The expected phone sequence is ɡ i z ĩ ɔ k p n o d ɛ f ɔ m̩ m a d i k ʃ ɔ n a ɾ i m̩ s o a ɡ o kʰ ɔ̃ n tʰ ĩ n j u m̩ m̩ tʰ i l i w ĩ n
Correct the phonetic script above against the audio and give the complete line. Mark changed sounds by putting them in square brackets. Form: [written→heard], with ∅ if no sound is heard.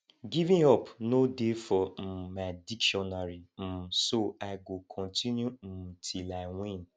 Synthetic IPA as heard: ɡ i [z→v] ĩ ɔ [k→∅] p n o d [ɛ→e] f ɔ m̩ m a d i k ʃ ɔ n a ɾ i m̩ s o a ɡ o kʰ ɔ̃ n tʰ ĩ n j u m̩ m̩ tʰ i l [i→a] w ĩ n